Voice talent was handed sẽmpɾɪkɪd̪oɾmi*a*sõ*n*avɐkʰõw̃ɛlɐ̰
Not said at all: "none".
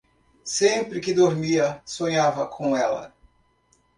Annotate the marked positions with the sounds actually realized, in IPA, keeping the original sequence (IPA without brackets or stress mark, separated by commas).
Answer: ɐ, ɲ